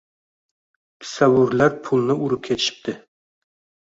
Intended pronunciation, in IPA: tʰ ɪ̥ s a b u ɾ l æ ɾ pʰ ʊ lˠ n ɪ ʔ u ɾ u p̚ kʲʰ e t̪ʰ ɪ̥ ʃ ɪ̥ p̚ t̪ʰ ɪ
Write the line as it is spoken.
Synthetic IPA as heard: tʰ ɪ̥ s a w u ɾ l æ ɾ pʰ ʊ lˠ n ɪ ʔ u ɾ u p̚ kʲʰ e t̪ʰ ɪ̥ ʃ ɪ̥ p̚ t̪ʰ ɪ